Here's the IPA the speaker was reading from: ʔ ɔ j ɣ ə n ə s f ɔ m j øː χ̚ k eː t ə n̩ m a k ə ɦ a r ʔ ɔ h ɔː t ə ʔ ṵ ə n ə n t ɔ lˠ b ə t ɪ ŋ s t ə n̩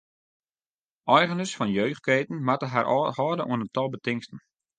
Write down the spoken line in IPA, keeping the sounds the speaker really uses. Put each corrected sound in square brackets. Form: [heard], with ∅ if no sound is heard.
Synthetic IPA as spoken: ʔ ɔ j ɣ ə n ə s f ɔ [n] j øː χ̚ k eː t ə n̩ m a [t] ə ɦ a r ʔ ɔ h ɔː [d] ə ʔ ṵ ə n ə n t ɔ lˠ b ə t ɪ ŋ s t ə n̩